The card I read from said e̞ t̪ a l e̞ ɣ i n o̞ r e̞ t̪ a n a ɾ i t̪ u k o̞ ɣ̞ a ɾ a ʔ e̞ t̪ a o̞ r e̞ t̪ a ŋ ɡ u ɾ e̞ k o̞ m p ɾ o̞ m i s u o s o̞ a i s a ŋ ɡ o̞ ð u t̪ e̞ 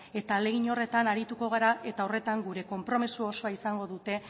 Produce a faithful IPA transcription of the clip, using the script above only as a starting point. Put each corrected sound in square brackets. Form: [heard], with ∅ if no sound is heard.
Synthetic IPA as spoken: e̞ t̪ a l e̞ ɣ i [ɲ] o̞ r e̞ t̪ a n a ɾ i t̪ u k o̞ ɣ̞ a ɾ a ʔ e̞ t̪ a o̞ r e̞ t̪ a ŋ ɡ u ɾ e̞ k o̞ m p ɾ o̞ m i s u o s o̞ a i s a ŋ ɡ o̞ ð u t̪ e̞